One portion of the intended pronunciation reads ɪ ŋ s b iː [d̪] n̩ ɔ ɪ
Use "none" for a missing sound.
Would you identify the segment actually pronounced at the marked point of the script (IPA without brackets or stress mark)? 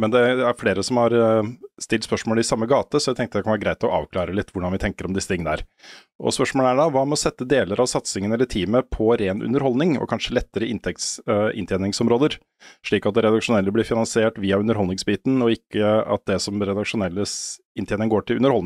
t̪